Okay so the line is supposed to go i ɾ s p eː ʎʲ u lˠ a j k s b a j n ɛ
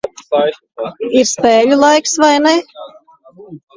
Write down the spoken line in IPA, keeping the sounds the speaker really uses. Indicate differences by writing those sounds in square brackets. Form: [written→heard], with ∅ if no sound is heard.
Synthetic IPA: i ɾ s p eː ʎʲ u lˠ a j k s [b→v] a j n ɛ